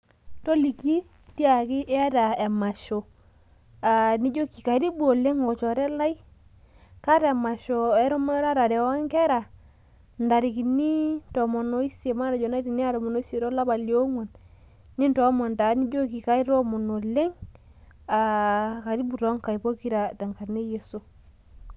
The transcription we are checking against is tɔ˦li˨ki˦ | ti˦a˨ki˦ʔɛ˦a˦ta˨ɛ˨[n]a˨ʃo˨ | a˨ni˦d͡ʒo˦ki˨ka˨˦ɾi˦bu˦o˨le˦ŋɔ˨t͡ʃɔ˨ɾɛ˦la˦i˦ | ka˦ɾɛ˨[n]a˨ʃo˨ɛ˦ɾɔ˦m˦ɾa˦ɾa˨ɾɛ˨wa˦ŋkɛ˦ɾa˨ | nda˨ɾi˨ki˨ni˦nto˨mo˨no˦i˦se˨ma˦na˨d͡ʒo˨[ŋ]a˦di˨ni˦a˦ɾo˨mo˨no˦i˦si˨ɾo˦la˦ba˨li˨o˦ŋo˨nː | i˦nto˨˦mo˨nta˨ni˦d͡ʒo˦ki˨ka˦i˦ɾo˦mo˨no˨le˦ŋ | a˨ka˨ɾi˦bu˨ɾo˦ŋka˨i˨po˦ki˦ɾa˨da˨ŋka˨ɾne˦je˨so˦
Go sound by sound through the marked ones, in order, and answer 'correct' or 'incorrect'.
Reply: incorrect: m, incorrect: m, incorrect: n

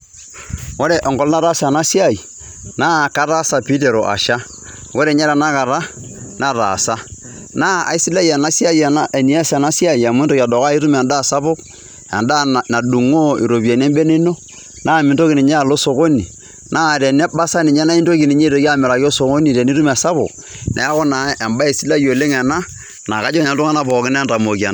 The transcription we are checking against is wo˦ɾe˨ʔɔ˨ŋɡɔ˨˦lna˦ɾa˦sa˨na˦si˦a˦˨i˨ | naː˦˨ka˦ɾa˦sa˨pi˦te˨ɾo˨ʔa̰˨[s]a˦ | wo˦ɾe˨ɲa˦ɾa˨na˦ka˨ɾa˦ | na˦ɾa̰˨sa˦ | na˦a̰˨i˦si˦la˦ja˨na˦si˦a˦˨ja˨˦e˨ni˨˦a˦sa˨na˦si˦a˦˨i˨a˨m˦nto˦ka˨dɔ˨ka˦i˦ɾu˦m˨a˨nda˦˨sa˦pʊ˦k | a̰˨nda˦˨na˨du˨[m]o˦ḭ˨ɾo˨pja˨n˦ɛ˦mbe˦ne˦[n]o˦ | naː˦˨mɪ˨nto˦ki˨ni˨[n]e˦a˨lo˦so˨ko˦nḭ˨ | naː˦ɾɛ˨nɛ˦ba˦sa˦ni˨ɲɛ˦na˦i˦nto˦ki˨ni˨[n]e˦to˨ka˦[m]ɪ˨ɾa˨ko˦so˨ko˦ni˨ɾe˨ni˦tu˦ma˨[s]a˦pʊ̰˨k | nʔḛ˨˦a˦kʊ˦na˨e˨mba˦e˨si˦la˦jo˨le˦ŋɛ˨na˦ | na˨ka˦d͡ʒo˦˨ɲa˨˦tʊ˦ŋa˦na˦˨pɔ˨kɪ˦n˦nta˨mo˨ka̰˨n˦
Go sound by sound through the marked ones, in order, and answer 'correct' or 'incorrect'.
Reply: incorrect: ʃ, incorrect: ŋ, correct, incorrect: ɲ, incorrect: ɲ, correct, correct

